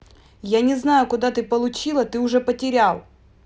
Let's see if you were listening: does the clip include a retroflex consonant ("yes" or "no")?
yes